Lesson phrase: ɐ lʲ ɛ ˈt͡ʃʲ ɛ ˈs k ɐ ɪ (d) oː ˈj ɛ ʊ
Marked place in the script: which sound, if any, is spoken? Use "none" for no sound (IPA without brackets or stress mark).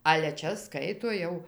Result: t